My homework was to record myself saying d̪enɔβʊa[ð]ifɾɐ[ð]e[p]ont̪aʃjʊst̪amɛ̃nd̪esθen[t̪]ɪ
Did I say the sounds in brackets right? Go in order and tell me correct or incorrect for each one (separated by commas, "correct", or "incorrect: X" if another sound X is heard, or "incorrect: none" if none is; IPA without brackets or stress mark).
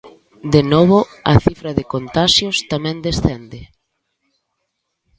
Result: incorrect: θ, correct, incorrect: k, incorrect: d̪